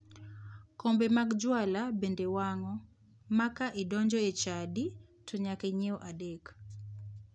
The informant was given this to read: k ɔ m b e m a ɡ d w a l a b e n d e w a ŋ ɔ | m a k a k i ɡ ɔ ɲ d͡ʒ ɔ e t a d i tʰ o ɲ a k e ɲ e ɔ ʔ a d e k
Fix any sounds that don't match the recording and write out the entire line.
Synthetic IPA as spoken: k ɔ m b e m a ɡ d͡ʒ w a l a b e n d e w a ŋ ɔ | m a k a ʔ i d ɔ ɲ d͡ʒ ɔ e t͡ʃ a d i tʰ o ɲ a k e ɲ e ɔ ʔ a d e k